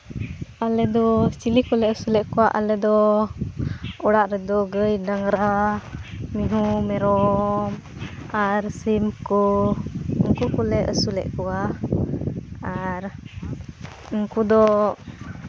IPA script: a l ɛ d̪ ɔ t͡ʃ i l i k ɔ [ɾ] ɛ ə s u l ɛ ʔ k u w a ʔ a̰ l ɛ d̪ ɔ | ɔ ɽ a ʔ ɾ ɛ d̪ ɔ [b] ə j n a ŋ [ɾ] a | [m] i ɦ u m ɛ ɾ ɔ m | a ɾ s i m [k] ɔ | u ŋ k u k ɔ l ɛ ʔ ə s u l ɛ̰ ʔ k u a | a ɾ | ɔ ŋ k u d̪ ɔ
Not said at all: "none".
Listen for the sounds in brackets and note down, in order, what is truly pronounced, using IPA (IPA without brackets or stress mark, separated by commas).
l, ɡ, ɾ, m, k